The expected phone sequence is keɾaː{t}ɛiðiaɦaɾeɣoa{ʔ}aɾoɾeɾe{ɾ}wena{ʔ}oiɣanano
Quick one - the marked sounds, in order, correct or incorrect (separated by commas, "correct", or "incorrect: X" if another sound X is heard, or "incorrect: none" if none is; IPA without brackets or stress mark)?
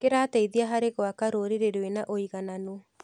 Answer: correct, incorrect: k, correct, correct